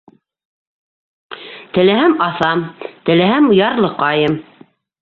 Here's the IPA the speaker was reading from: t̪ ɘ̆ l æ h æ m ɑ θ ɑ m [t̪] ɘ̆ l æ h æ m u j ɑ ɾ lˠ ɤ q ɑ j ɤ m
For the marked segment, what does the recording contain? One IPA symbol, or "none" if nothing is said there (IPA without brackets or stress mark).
t̪